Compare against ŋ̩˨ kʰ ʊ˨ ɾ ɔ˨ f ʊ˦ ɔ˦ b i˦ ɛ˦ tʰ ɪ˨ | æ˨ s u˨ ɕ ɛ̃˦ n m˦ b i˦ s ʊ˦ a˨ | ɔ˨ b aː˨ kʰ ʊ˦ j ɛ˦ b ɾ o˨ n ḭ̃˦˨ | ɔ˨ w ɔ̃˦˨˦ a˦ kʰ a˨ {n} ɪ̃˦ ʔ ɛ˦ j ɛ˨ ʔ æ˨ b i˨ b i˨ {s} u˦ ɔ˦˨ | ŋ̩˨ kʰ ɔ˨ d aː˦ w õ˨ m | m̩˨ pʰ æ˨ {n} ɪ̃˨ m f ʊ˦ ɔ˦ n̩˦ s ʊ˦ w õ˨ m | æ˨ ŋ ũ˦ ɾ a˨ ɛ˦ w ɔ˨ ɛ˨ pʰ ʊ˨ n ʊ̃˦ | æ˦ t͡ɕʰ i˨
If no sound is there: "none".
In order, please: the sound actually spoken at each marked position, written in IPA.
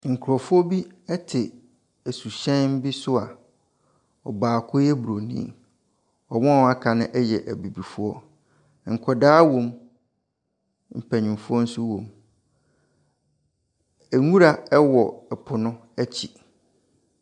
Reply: n, f, ɲ

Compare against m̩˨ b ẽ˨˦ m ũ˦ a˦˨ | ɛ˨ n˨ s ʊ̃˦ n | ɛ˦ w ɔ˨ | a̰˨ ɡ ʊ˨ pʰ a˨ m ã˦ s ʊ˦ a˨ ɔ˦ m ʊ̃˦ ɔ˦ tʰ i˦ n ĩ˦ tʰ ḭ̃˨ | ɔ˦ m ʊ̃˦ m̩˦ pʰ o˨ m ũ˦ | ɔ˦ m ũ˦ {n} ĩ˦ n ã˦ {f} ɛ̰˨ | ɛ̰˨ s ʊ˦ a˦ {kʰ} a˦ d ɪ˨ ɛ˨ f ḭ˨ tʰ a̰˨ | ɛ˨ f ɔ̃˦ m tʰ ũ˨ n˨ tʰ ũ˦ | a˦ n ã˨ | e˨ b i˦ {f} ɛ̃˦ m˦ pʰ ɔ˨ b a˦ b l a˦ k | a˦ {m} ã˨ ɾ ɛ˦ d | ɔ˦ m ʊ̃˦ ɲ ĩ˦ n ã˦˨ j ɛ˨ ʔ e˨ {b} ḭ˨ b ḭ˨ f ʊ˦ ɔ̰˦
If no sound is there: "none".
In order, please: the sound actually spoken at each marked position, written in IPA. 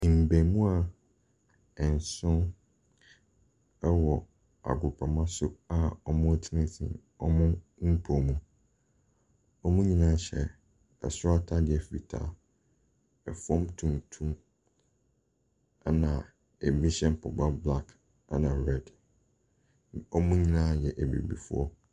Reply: ɲ, ɕ, tʰ, ɕ, n, b

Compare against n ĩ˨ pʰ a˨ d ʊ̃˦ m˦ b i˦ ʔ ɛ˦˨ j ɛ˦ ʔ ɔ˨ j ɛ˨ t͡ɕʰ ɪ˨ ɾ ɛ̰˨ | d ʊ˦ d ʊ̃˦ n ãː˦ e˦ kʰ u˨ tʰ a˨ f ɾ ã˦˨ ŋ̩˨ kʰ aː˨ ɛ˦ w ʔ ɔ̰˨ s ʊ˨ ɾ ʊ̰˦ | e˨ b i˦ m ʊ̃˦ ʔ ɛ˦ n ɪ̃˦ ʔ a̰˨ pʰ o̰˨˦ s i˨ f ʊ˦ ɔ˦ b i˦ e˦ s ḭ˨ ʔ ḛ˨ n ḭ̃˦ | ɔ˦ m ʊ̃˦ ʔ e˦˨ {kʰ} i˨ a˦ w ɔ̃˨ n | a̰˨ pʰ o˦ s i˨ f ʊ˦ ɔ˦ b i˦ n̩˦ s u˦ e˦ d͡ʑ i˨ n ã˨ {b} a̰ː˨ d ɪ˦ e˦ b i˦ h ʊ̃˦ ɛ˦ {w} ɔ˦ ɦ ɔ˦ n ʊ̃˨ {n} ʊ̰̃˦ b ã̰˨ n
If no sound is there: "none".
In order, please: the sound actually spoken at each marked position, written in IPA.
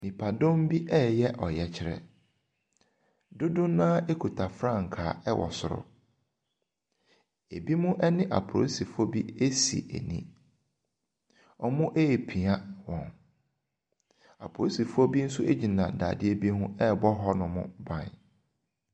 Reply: pʰ, d, b, m

